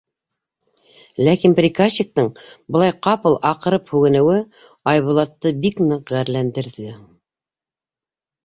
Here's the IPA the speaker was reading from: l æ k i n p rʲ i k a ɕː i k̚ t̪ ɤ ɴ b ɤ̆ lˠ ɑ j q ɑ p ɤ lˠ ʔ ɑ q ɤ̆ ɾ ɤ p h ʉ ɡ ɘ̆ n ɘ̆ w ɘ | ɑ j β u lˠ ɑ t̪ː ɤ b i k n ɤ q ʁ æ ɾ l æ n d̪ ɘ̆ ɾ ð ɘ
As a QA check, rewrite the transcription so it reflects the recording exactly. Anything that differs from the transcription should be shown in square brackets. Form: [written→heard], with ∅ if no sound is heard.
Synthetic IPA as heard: l æ k i n p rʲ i k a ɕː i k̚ t̪ ɤ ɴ b ɤ̆ lˠ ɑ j q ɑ p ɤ lˠ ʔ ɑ q ɤ̆ ɾ ɤ p h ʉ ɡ ɘ̆ n ɘ̆ w ɘ | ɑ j β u lˠ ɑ t̪ː ɤ b i k n ɤ q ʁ æ ɾ l æ n d̪ ɘ̆ ɾ ð ɘ

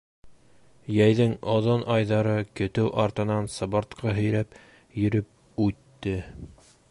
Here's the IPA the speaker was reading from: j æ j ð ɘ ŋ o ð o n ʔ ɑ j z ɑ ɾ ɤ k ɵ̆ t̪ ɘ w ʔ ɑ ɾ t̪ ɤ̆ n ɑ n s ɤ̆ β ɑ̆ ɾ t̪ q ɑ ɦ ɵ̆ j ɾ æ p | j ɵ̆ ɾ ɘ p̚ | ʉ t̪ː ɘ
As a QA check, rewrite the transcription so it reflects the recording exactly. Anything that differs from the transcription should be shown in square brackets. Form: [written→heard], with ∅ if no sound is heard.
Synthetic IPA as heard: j æ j ð ɘ ŋ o ð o n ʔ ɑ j [z→ð] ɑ ɾ ɤ k ɵ̆ t̪ ɘ w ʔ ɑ ɾ t̪ ɤ̆ n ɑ n s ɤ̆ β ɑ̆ ɾ t̪ q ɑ ɦ ɵ̆ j ɾ æ p | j ɵ̆ ɾ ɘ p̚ | ʉ t̪ː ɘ

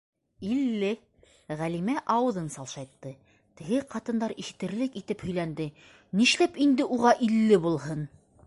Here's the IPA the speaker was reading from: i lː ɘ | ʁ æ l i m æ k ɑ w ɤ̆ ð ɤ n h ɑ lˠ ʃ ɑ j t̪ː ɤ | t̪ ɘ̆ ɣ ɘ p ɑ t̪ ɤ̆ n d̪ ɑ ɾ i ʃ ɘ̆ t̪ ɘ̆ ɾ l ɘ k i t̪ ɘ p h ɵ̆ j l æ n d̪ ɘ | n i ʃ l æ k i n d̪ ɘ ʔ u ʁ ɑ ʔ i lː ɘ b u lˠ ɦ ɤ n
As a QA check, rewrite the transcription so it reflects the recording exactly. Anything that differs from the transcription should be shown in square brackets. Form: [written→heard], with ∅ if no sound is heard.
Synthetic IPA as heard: i lː ɘ | ʁ æ l i m æ [k→ʔ] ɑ w ɤ̆ ð ɤ n [h→s] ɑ lˠ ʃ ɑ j t̪ː ɤ | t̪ ɘ̆ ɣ ɘ [p→q] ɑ t̪ ɤ̆ n d̪ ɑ ɾ i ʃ ɘ̆ t̪ ɘ̆ ɾ l ɘ k i t̪ ɘ p h ɵ̆ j l æ n d̪ ɘ | n i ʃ l æ [k→p] i n d̪ ɘ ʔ u ʁ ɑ ʔ i lː ɘ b u lˠ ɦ ɤ n

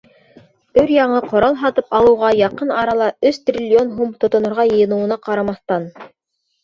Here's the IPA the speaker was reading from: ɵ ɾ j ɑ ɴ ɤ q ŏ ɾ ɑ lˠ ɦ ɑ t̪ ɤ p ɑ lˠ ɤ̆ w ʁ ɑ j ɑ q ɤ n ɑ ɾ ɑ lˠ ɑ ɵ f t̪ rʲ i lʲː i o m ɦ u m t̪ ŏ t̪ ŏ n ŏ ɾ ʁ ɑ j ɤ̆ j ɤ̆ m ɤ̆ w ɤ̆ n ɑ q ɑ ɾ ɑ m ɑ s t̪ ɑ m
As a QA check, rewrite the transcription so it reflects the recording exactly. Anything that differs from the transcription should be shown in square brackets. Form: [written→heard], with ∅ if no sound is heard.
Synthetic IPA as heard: ɵ ɾ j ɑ ɴ ɤ q ŏ ɾ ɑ lˠ ɦ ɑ t̪ ɤ p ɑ lˠ ɤ̆ w ʁ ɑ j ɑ q ɤ n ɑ ɾ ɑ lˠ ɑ ɵ [f→s] t̪ rʲ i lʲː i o [m→n] ɦ u m t̪ ŏ t̪ ŏ n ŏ ɾ ʁ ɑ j ɤ̆ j ɤ̆ [m→n] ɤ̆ w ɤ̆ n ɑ q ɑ ɾ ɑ m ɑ [s→θ] t̪ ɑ [m→n]

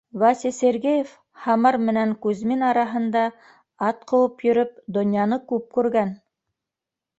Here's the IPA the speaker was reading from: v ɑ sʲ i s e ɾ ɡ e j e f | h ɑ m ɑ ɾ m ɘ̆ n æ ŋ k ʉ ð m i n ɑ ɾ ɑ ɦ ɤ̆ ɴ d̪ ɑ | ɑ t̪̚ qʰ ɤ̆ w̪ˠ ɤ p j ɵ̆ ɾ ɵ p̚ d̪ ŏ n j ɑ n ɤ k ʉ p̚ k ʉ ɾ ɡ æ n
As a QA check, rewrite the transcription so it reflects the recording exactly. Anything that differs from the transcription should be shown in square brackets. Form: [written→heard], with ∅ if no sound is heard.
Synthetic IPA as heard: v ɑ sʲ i s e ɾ ɡ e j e f | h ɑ m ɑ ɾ m ɘ̆ n æ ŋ k ʉ [ð→z] m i n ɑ ɾ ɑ ɦ ɤ̆ [ɴ→n] d̪ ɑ | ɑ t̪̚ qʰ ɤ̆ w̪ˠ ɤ p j ɵ̆ ɾ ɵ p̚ d̪ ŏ n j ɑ n ɤ k ʉ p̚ k ʉ ɾ ɡ æ n

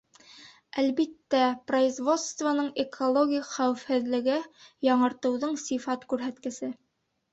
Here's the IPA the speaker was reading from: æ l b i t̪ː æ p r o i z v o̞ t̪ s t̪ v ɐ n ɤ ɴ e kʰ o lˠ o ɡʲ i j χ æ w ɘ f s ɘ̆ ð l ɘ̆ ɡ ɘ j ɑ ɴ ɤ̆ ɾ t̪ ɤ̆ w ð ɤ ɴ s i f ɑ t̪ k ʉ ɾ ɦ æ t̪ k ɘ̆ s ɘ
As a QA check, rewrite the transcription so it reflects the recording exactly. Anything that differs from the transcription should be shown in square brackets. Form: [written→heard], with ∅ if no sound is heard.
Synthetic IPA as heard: æ l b i t̪ː æ p r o i z v o̞ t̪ s t̪ v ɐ n ɤ ɴ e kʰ o lˠ o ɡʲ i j χ æ w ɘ f [s→h] ɘ̆ ð l ɘ̆ ɡ ɘ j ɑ ɴ ɤ̆ ɾ t̪ ɤ̆ w ð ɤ ɴ s i f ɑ t̪ k ʉ ɾ ɦ æ t̪ k ɘ̆ s ɘ

